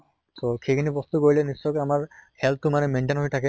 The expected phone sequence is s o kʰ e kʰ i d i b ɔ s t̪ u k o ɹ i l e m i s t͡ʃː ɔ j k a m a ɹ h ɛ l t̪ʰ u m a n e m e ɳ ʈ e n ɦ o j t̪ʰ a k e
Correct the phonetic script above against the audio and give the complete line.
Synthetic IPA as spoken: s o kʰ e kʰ i n i b ɔ s t̪ u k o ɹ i l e n i s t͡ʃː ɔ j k a m a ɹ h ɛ l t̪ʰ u m a n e m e ɳ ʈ e n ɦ o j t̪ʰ a k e